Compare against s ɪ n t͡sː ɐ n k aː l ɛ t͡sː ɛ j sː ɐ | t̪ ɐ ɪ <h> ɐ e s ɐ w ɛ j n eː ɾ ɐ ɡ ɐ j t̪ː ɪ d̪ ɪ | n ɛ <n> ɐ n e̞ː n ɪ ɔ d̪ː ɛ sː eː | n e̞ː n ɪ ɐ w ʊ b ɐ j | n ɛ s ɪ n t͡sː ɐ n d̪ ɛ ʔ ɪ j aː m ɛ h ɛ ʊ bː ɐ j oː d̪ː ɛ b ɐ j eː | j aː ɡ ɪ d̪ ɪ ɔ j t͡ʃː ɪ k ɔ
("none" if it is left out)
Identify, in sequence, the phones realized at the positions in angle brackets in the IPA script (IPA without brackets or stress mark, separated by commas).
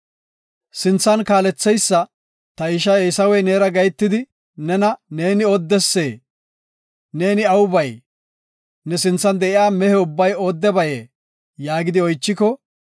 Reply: ʃ, n